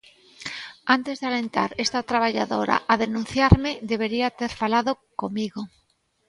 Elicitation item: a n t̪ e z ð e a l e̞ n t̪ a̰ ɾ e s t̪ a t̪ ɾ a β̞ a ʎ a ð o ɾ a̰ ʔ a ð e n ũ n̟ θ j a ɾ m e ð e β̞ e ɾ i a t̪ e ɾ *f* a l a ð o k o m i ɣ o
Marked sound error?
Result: no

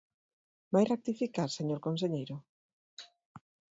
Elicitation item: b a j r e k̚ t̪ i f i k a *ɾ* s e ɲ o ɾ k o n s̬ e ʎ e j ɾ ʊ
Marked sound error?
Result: no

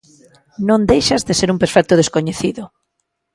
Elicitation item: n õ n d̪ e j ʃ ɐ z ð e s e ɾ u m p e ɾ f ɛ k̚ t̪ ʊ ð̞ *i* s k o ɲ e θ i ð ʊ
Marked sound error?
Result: yes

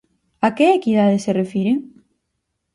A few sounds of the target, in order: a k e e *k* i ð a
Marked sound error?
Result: no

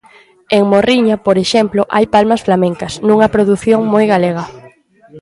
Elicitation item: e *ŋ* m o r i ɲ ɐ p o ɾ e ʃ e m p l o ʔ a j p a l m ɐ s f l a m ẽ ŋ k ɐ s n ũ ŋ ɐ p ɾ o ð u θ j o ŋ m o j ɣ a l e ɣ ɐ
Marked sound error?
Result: no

